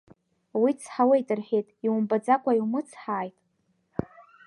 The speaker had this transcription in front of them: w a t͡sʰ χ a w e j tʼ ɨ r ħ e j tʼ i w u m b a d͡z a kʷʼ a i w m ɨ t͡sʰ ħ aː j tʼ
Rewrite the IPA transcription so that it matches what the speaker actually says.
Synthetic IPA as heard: w i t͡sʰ ħ a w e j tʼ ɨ r ħ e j tʼ i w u m b a d͡z a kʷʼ a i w m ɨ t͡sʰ ħ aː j tʼ

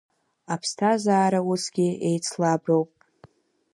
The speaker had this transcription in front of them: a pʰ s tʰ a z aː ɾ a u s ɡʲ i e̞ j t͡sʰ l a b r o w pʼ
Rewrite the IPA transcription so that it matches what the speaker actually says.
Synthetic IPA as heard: a pʰ s tʰ a z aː ɾ a u s ɡʲ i e̞ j t͡sʰ l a b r o w pʼ

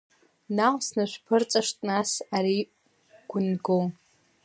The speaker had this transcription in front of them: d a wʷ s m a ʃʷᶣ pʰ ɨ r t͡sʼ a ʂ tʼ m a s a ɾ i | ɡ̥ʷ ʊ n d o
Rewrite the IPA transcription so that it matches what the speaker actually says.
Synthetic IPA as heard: n a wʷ s n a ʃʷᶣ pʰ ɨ r t͡sʼ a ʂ tʼ n a s a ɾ i | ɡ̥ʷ ʊ n ɡ o

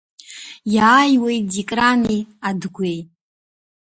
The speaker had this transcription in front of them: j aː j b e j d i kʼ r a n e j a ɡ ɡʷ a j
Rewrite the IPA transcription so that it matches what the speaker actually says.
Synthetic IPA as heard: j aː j w e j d i kʼ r a n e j a d ɡʷ e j

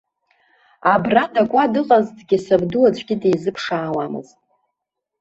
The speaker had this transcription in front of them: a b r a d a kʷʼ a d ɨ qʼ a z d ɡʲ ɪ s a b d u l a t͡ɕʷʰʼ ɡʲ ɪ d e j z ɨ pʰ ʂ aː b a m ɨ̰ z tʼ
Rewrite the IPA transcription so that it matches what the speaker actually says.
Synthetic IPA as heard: a b r a d a kʷʼ a d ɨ qʼ a z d ɡʲ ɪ s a b d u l a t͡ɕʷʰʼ ɡʲ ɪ d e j z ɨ pʰ ʂ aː w a m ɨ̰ z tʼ

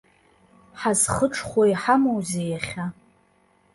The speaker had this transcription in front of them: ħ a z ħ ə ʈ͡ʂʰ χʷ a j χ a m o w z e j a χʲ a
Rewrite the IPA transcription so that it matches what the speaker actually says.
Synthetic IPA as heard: ħ a z χ ə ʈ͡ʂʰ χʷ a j ħ a m o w z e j a χʲ a

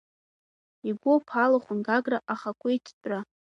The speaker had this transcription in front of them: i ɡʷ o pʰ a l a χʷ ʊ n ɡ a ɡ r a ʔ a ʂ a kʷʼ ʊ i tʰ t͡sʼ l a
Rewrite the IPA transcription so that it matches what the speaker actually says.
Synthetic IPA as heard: i ɡʷ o pʰ a l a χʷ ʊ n ɡ a ɡ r a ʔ a χ a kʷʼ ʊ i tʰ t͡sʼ r a

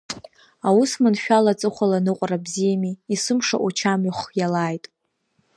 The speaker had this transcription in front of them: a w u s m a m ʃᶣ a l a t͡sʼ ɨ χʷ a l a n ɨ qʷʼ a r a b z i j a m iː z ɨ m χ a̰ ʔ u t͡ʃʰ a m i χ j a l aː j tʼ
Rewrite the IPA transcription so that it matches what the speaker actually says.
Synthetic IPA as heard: a w u s m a n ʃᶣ a l a t͡sʼ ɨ χʷ a l a n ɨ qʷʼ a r a b z i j a m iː s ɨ m ʂ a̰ ʔ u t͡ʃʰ a m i χ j a l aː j tʼ

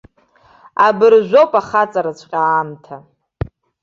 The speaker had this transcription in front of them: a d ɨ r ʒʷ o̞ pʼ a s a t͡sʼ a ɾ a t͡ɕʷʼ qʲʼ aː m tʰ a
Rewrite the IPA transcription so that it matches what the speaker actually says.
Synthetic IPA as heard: a b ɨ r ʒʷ o̞ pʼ a χ a t͡sʼ a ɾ a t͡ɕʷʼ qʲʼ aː m tʰ a

